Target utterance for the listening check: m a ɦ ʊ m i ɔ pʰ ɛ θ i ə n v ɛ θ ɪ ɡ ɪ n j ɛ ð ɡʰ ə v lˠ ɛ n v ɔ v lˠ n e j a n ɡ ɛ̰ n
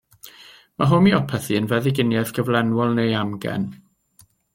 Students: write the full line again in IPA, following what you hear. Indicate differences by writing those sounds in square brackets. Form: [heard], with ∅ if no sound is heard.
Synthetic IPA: m a ɦ ʊ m i ɔ pʰ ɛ θ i ə n v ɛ [ð] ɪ ɡ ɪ n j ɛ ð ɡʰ ə v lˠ ɛ n [w] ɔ [∅] lˠ n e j a [m] ɡ ɛ̰ n